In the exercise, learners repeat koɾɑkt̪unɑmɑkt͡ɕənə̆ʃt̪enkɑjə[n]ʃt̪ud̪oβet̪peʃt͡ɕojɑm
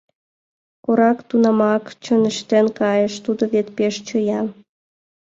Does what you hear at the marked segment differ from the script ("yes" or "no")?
yes